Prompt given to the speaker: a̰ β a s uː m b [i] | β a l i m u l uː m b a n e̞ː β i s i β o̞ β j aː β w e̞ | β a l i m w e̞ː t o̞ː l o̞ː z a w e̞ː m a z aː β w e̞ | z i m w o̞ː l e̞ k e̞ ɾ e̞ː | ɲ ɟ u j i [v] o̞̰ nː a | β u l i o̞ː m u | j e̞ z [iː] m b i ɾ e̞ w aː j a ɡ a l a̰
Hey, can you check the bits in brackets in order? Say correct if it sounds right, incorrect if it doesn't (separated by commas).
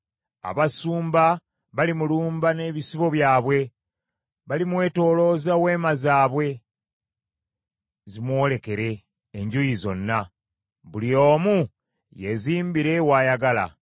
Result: incorrect, incorrect, correct